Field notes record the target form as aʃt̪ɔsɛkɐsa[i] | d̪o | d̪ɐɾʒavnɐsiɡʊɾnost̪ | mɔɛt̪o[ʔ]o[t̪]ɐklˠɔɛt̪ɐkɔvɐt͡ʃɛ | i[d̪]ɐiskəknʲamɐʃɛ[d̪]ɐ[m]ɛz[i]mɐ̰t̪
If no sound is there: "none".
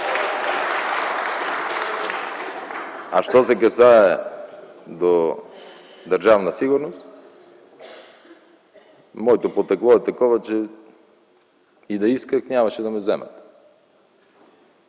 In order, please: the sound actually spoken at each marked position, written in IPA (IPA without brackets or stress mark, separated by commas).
ɛ, p, t̪, d̪, d̪, m, ɛ